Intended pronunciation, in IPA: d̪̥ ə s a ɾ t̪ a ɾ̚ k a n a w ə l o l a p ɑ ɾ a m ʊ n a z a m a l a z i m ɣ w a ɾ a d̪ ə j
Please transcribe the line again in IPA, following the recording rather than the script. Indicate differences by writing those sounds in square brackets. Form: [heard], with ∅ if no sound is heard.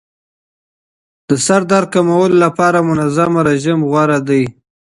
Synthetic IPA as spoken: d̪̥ ə s a ɾ [d̪] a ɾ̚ k a [m] a w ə l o l a p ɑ ɾ a m ʊ n a z a m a [ɾ] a [ʒ] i m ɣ w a ɾ a d̪ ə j